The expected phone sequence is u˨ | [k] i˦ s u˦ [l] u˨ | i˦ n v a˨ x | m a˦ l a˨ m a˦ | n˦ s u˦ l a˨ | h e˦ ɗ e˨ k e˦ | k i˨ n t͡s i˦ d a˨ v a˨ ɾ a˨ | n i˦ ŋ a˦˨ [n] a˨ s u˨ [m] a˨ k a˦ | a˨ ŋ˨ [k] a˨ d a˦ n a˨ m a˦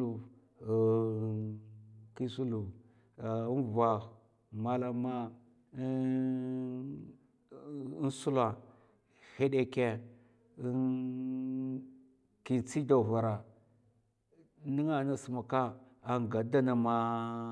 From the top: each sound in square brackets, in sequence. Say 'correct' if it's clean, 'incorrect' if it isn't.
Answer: correct, correct, correct, correct, incorrect

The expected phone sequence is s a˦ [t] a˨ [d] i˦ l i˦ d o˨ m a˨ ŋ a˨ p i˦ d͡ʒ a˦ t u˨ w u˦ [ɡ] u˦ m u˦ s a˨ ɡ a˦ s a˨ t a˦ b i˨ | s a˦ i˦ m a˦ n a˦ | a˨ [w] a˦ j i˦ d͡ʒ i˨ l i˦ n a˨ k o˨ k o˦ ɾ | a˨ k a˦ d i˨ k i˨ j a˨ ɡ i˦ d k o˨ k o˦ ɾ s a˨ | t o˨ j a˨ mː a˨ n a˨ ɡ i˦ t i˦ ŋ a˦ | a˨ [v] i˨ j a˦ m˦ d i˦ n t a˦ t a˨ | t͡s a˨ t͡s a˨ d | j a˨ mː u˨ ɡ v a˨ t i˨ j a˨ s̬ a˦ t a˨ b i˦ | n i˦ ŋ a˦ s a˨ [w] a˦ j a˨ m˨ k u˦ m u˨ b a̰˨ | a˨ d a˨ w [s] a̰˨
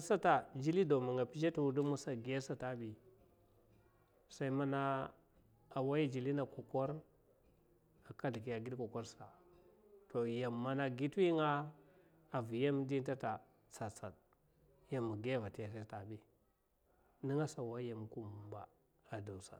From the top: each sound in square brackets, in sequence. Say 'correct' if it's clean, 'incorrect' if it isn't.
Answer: correct, incorrect, incorrect, correct, correct, correct, correct

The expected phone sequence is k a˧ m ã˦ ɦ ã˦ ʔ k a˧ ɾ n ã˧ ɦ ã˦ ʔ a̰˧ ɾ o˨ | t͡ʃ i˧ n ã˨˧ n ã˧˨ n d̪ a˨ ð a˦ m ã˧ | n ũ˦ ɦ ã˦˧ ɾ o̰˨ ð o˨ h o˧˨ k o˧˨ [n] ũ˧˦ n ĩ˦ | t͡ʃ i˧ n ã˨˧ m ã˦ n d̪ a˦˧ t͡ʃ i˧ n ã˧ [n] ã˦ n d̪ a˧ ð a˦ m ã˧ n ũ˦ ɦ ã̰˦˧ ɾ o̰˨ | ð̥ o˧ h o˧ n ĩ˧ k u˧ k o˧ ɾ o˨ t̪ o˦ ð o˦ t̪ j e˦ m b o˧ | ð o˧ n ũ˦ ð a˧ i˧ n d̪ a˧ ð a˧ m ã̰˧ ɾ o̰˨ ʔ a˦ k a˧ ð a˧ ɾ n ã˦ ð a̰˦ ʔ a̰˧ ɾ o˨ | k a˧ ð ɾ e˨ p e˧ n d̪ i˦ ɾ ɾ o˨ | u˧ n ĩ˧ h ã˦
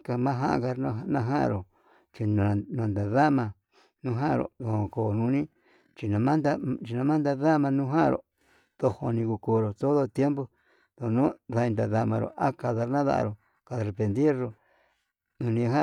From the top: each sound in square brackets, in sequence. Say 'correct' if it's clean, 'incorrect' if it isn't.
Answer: correct, incorrect

